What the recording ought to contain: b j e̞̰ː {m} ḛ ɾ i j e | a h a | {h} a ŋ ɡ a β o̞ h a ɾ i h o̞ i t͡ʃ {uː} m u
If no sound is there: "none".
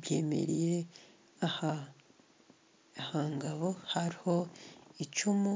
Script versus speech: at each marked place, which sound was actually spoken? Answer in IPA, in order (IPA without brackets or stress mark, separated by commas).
m, h, u